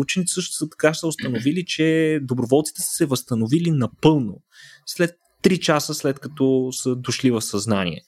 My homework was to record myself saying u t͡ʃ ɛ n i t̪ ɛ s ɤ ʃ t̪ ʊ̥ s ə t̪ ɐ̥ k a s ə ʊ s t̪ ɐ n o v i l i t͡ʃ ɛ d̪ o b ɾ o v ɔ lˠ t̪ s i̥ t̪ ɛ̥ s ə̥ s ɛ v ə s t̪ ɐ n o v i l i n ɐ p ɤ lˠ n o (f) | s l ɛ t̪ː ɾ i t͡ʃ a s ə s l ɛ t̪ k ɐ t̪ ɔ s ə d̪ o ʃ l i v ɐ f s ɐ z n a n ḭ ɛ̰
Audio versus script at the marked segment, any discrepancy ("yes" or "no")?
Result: yes